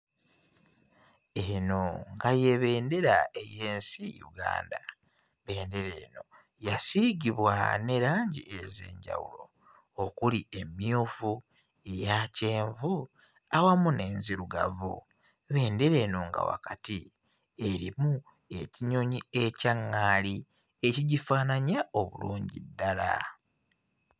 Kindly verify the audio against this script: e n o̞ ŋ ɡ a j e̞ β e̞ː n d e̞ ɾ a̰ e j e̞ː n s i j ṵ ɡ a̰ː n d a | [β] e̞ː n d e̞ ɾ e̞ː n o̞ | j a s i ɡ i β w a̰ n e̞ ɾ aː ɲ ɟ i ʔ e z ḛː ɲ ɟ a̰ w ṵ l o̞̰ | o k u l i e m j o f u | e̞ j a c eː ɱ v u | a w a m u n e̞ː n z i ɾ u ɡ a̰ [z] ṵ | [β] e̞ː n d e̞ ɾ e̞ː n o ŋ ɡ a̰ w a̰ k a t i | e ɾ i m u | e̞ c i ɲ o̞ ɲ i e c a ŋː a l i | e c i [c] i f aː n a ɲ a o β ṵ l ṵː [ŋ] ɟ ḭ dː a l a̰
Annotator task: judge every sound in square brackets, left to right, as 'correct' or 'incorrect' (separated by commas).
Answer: correct, incorrect, correct, incorrect, incorrect